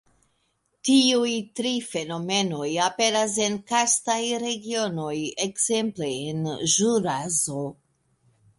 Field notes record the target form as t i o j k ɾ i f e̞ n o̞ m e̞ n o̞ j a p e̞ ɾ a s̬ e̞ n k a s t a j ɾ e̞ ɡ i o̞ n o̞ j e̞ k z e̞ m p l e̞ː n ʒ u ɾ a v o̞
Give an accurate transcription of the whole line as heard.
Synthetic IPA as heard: t i u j t ɾ i f e̞ n o̞ m e̞ n o̞ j a p e̞ ɾ a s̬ e̞ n k a s t a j ɾ e̞ ɡ i o̞ n o̞ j e̞ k z e̞ m p l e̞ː n ʒ u ɾ a z o̞